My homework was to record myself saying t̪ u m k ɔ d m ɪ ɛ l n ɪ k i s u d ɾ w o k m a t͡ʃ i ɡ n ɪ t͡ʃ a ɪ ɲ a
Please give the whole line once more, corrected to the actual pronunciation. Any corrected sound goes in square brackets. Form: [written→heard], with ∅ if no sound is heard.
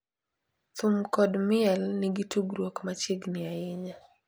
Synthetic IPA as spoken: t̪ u m k ɔ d m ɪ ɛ l n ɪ [k→ɡ] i [s→t] u [d→ɡ] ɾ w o k m a t͡ʃ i ɡ n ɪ [t͡ʃ→∅] a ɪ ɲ a